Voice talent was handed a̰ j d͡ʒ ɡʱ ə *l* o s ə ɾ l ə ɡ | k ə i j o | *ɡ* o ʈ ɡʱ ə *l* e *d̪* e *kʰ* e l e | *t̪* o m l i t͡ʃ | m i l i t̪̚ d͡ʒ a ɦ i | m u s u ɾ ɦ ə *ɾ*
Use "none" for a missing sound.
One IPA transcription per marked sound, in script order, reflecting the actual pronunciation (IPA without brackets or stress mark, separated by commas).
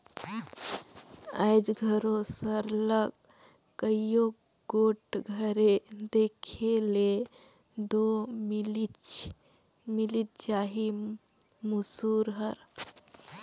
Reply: ɾ, ɡ, ɾ, d̪, kʰ, d̪, ɾ